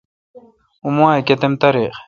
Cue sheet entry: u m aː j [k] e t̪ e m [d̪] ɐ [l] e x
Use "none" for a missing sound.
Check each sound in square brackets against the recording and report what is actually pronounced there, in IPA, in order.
k, t̪, ɾ

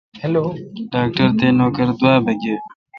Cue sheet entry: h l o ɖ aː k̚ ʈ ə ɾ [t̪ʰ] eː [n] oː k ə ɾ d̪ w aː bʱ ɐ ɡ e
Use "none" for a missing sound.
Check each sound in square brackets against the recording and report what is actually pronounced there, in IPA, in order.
t̪, n

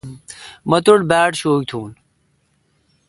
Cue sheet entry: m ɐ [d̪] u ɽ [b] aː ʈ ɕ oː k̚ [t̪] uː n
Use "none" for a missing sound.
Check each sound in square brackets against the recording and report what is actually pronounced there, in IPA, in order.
t̪, b, t̪ʰ

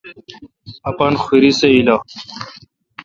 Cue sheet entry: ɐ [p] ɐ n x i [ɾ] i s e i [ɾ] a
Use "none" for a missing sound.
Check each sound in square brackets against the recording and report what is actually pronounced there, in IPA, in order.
p, ɾ, l

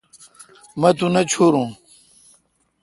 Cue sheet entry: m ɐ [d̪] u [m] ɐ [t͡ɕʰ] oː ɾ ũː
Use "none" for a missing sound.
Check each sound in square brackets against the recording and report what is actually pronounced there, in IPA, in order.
t̪, n, t͡ɕʰ

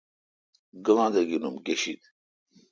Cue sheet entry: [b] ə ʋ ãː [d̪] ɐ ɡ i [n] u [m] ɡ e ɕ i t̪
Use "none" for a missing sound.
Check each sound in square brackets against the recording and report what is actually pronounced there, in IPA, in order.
ɡ, d̪, n, m

